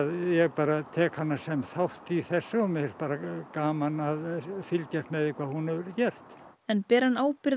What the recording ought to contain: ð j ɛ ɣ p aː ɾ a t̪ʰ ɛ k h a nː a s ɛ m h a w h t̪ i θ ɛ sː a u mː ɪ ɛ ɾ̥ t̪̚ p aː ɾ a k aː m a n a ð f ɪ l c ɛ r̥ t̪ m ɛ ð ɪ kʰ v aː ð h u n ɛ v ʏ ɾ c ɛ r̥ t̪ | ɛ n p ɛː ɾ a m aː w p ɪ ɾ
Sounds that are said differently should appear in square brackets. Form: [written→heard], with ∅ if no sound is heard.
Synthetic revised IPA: ð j ɛ ɣ p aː ɾ a t̪ʰ [ɛ→ɛː] k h a nː a s ɛ m [h→θ] a w h t̪ i θ ɛ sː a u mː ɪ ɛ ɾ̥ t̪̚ p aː ɾ a k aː m a n a ð f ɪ l c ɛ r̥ t̪ m ɛ ð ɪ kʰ v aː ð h u n ɛ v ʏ ɾ c ɛ r̥ t̪ | ɛ n p ɛː ɾ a [m→n] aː w p ɪ ɾ